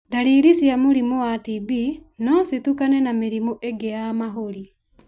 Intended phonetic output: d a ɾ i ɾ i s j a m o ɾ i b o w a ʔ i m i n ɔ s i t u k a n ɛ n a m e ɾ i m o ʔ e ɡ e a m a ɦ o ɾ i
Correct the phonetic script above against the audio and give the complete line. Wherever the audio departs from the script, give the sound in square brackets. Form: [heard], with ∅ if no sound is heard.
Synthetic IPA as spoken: d a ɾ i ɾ i s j a m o ɾ i [m] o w a [t] i [b] i n ɔ s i t u k a n ɛ n a m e ɾ i m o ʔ e ɡ e a m a ɦ o ɾ i